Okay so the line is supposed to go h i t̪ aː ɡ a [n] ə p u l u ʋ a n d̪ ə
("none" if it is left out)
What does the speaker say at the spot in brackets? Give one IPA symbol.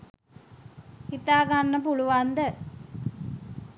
nː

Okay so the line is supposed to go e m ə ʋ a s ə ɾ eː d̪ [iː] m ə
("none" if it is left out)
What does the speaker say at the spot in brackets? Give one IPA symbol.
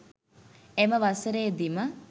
i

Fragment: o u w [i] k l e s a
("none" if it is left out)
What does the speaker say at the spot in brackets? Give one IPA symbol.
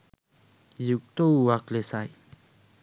a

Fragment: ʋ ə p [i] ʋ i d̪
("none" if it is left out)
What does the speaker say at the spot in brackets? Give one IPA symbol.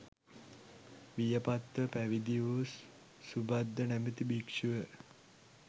æ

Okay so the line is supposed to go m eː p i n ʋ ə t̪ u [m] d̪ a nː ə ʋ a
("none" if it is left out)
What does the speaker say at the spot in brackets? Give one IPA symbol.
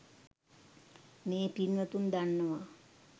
n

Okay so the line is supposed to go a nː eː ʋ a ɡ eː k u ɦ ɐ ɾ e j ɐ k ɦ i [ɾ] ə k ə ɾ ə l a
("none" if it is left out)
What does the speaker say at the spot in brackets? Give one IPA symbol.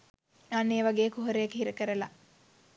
ɾ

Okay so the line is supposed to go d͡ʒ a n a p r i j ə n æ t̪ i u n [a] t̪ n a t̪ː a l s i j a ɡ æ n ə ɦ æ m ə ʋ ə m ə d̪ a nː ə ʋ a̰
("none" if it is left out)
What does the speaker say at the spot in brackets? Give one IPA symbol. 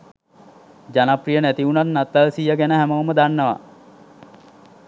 a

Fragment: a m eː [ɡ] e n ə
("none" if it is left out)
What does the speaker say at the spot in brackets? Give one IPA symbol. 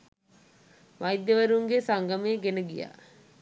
ɡ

